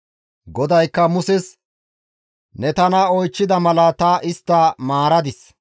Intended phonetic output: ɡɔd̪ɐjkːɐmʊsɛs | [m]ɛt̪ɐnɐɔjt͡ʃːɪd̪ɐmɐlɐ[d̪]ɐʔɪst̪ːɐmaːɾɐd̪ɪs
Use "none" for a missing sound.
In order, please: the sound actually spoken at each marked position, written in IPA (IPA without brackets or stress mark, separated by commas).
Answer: n, t̪